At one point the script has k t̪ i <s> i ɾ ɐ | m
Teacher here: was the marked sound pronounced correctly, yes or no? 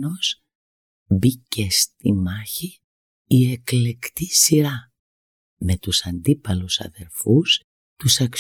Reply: yes